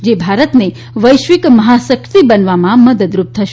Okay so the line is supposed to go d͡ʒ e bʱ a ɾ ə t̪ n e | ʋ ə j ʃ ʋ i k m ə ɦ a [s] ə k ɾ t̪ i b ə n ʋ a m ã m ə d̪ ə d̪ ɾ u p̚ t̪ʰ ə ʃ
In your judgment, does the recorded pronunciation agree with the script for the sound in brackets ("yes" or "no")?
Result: yes